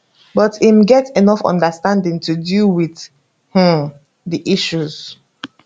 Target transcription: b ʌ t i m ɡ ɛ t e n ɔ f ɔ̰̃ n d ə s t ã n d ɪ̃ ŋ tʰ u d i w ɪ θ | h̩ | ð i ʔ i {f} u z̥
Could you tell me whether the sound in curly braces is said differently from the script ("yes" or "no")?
yes